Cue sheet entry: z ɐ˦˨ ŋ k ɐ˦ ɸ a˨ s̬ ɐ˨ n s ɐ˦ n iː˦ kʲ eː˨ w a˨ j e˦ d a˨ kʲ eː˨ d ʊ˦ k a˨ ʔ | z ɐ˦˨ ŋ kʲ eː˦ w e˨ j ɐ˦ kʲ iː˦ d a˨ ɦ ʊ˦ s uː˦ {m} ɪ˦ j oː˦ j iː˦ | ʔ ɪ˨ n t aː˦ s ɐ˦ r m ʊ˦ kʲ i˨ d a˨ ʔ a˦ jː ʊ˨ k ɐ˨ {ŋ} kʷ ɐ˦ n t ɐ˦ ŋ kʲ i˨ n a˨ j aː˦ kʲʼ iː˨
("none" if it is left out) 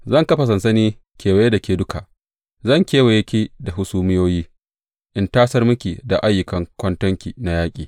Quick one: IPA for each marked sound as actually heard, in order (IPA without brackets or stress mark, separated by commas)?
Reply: m, ŋ